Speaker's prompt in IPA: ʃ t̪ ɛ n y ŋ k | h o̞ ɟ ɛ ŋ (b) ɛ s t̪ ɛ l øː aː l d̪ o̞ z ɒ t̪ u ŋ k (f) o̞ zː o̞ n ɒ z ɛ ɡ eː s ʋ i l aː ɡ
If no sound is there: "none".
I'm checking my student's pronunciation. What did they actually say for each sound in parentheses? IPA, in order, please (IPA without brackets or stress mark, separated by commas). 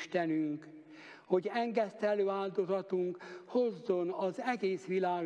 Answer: ɡ, h